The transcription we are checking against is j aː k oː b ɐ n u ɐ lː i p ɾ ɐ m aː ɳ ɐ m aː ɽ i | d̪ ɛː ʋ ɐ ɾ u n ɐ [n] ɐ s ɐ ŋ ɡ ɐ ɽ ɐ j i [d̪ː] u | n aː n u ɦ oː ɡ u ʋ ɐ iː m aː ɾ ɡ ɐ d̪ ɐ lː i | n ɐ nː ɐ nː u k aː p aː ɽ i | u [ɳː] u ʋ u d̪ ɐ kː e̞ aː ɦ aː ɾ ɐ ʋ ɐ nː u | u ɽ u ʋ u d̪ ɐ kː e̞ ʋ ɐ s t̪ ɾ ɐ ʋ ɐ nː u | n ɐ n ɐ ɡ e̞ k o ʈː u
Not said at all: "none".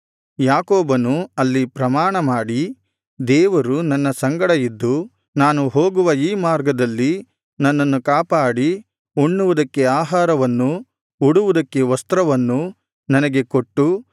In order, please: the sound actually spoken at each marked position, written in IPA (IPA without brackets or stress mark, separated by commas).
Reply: nː, d̪ː, ɳː